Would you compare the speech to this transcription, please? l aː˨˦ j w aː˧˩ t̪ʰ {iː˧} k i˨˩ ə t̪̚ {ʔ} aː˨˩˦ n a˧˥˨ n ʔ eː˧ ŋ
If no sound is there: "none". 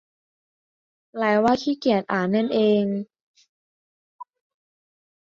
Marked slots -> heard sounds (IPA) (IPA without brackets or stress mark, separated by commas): iː˥˩, ʔ